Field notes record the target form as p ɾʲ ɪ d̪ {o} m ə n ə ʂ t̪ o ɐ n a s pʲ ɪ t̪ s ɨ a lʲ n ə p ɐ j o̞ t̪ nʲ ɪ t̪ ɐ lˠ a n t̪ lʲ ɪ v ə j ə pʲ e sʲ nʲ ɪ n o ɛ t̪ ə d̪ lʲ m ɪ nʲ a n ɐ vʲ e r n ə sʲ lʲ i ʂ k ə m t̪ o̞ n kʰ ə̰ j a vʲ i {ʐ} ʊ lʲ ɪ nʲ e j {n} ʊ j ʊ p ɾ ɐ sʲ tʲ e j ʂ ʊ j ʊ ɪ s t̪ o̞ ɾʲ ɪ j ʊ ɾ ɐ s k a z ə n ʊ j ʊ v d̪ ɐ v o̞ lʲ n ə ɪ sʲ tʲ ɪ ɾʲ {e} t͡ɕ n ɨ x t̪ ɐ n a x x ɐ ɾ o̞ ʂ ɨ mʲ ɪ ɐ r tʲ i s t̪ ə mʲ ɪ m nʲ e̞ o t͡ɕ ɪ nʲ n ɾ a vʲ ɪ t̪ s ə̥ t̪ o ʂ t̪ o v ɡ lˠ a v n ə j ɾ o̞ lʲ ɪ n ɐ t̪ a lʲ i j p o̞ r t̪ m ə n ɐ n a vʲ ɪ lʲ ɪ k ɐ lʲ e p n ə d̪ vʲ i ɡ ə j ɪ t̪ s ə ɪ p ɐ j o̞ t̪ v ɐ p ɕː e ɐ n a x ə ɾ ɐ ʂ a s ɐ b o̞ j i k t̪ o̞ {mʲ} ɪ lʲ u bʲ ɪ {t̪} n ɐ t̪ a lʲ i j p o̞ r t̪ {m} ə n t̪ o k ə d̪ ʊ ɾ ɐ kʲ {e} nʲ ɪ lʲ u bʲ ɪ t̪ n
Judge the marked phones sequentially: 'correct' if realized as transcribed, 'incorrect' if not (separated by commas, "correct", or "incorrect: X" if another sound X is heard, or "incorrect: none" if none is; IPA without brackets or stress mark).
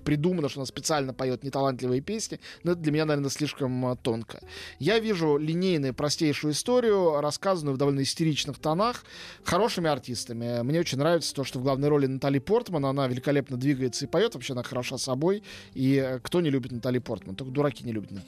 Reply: incorrect: u, correct, correct, incorrect: i, incorrect: nʲ, correct, correct, incorrect: i